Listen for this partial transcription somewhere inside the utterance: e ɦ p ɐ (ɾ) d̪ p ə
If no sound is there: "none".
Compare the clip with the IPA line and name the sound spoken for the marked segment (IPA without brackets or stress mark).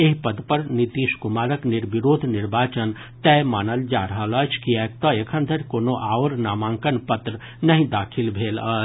none